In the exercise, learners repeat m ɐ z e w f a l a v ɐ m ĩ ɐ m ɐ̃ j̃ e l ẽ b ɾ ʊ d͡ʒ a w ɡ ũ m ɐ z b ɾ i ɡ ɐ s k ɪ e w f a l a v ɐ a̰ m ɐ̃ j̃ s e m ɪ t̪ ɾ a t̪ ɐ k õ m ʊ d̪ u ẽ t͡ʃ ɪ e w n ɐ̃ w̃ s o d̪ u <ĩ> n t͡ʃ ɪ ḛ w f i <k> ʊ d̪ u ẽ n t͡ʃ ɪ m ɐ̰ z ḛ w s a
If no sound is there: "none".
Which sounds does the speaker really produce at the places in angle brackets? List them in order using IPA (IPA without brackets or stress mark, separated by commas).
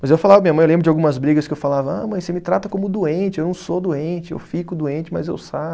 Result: ẽ, k